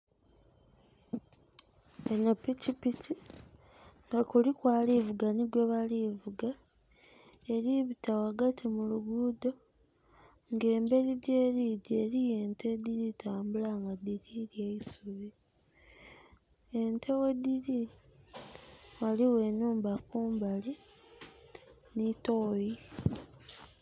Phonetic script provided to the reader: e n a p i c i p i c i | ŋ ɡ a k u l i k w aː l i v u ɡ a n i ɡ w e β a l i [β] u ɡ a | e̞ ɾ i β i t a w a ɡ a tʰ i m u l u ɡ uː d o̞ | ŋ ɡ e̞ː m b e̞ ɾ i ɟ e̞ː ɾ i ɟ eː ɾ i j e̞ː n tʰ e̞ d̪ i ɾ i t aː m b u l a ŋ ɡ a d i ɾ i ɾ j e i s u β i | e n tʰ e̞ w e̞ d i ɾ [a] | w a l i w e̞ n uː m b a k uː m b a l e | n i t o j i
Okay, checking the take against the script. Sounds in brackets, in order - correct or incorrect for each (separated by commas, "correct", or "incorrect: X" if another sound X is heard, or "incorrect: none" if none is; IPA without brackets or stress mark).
incorrect: v, incorrect: i